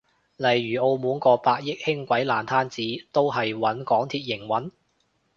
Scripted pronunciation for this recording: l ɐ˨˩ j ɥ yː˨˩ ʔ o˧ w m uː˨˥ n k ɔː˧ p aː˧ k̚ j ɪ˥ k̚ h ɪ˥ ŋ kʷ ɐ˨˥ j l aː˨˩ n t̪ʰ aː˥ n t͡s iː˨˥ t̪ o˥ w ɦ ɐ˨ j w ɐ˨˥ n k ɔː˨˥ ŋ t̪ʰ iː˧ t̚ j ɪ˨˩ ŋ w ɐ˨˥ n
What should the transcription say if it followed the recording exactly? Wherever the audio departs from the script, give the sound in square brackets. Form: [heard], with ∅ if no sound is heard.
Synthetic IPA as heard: l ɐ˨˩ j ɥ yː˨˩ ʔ o˧ w m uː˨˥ n k ɔː˧ p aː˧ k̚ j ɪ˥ k̚ h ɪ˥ ŋ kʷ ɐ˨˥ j l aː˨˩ n t̪ʰ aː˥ n t͡s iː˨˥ t̪ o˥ w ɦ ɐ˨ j w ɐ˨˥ n k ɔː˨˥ ŋ t̪ʰ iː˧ t̚ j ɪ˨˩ ŋ w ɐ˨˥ n